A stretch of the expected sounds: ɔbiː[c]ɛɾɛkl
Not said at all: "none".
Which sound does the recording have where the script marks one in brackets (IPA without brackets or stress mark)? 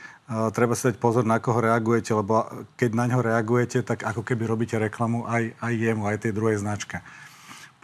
c